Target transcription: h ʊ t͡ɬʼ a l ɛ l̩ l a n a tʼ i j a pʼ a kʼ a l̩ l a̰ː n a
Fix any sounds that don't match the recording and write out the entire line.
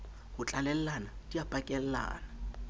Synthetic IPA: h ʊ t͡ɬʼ a l ɛ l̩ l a n a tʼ i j a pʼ a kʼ ɛ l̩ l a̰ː n a